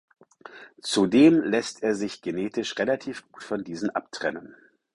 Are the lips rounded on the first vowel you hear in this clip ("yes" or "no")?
yes